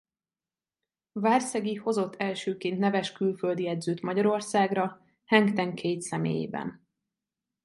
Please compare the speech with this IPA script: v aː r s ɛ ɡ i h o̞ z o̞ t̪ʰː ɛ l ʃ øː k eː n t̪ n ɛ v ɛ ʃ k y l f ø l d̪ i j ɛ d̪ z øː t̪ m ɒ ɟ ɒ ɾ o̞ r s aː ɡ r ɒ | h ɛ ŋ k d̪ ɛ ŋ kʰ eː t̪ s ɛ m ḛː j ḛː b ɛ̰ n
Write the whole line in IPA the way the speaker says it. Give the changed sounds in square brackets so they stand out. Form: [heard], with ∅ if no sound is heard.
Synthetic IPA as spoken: v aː r s ɛ ɡ i h o̞ z o̞ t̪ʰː ɛ l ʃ øː k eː n t̪ n ɛ v ɛ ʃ k y l f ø l d̪ i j ɛ d̪ z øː t̪ m ɒ ɟ ɒ ɾ o̞ r s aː ɡ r ɒ | h ɛ ŋ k [t̪] ɛ ŋ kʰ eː t̪ s ɛ m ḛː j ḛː b ɛ̰ n